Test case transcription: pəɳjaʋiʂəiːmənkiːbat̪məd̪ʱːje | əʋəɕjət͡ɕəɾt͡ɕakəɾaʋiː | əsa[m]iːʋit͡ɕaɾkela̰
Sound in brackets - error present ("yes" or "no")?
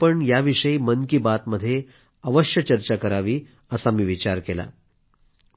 no